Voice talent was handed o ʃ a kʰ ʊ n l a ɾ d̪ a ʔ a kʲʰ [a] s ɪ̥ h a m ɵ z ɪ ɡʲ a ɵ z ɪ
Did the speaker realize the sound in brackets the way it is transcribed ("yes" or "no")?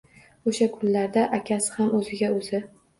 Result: yes